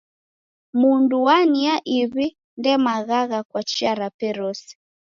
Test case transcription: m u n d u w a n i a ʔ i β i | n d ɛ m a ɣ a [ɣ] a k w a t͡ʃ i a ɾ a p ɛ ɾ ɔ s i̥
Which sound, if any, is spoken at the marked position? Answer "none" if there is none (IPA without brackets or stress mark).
ɣ